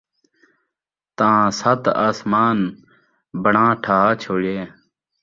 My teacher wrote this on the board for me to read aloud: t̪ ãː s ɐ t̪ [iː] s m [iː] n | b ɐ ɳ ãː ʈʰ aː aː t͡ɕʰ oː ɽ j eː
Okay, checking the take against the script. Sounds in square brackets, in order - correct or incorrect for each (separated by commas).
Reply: incorrect, incorrect